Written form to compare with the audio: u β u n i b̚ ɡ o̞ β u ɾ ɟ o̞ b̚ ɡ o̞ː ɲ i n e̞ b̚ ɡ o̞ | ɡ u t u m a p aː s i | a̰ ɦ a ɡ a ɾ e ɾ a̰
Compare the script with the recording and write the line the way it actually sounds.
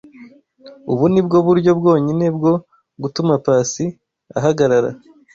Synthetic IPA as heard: u β u n i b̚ ɡ o̞ β u ɾ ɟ o̞ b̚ ɡ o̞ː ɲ i n e̞ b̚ ɡ o̞ | ɡ u t u m a p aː s i | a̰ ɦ a ɡ a ɾ a ɾ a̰